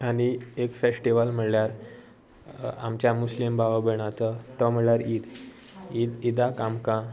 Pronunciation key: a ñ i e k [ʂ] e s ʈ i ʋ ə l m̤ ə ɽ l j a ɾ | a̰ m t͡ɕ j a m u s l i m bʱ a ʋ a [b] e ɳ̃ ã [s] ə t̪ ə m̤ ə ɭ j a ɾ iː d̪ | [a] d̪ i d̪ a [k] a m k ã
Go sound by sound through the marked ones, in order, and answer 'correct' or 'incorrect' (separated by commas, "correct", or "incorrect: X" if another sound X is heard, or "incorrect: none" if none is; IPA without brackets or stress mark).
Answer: incorrect: f, correct, incorrect: t͡s, incorrect: i, correct